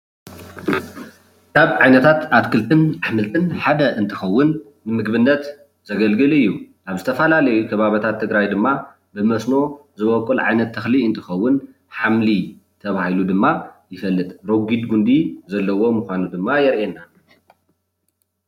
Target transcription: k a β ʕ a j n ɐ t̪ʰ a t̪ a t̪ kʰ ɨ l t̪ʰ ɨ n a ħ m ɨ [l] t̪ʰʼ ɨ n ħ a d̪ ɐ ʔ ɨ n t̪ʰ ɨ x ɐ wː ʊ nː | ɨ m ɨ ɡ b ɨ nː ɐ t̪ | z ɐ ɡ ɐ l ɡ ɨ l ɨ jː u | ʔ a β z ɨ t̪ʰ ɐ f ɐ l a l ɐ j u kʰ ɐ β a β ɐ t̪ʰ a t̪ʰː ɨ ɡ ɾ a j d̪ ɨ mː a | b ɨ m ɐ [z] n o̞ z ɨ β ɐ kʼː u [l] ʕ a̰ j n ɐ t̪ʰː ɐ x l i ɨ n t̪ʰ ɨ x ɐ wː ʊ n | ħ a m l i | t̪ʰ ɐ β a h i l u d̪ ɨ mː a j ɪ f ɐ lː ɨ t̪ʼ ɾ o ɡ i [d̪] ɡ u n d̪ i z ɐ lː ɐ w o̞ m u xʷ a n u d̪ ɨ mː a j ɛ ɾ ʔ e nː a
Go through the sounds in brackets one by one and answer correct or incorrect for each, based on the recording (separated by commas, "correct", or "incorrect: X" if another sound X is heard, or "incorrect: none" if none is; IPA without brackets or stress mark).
correct, incorrect: s, correct, correct